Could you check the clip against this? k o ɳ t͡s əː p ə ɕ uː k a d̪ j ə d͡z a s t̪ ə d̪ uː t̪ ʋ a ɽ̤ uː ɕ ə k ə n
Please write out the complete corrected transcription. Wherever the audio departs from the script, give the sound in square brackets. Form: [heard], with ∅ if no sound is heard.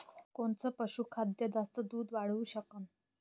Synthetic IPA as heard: k o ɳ t͡s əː p ə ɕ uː [kʰ] a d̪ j ə d͡z a s t̪ ə d̪ uː [d̪] ʋ a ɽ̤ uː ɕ ə k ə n